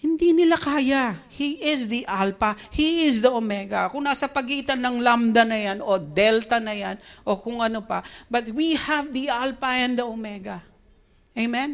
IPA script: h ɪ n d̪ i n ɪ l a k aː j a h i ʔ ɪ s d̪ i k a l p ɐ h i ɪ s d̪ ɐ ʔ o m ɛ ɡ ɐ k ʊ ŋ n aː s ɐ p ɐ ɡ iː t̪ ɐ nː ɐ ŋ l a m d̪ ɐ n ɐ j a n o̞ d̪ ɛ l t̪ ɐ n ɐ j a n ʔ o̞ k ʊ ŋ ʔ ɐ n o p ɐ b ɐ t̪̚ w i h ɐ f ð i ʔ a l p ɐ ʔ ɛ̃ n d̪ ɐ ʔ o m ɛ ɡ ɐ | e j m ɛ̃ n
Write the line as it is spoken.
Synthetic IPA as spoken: h ɪ n d̪ i n ɪ l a k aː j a h i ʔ ɪ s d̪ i ʔ a l p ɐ h i ɪ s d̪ ɐ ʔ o m ɛ ɡ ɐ k ʊ ŋ n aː s ɐ p ɐ ɡ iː t̪ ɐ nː ɐ ŋ l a m d̪ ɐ n ɐ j a n o̞ d̪ ɛ l t̪ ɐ n ɐ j a n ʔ o̞ k ʊ ŋ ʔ ɐ n o p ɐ b ɐ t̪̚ w i h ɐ v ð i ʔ a l p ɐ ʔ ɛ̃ n d̪ ɐ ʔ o m ɛ ɡ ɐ | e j m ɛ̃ n